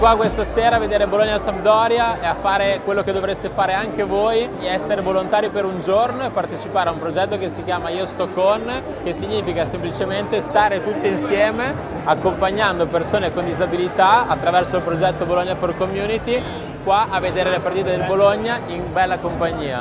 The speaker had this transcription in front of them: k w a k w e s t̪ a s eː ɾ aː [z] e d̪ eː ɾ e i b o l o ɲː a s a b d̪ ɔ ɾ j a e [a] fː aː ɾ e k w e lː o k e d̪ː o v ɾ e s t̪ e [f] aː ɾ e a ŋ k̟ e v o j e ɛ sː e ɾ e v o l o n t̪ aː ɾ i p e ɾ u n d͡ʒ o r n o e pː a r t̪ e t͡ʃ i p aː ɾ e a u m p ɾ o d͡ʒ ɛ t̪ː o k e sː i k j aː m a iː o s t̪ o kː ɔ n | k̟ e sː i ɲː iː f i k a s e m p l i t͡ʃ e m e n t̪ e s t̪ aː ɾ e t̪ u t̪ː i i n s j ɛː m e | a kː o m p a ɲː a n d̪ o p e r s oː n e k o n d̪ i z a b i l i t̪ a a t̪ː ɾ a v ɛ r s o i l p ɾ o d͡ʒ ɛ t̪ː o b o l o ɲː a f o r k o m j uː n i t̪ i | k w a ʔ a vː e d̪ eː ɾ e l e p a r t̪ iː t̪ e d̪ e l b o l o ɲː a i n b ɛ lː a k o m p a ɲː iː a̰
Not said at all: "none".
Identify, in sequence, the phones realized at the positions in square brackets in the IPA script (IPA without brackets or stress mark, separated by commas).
v, a, f